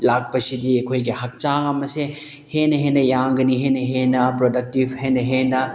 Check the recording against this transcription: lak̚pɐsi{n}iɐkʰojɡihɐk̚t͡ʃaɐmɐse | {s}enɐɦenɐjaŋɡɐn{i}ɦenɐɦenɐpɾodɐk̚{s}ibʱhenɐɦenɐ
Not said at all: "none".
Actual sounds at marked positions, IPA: d, h, i, t

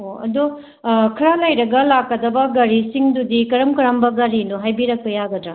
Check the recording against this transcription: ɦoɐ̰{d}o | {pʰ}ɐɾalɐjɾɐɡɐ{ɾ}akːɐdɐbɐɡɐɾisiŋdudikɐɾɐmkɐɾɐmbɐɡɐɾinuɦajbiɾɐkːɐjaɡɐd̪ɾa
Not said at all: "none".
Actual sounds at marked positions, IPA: d, kʰ, l

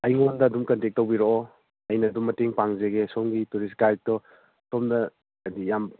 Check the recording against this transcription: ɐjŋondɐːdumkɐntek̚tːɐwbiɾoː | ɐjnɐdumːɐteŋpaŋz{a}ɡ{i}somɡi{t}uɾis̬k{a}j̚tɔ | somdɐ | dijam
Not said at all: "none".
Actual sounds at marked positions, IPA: e, e, t, a

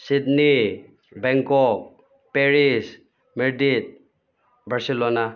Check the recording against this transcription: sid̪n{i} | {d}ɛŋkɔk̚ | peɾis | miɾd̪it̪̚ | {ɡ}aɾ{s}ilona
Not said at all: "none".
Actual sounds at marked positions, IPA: i, b, b, s

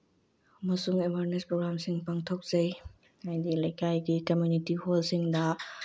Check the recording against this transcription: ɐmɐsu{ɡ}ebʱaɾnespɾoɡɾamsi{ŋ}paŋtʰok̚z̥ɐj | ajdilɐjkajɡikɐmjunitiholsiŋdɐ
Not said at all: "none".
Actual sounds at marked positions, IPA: ŋ, ŋ

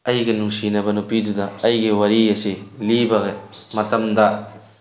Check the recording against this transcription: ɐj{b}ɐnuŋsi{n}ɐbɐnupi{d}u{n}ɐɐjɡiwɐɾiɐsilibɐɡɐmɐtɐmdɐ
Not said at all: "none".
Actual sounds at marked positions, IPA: ɡ, n, d, d

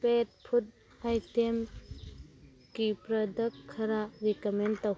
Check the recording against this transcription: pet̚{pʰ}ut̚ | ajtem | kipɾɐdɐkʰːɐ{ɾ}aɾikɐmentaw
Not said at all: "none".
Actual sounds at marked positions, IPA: pʰ, ɾ

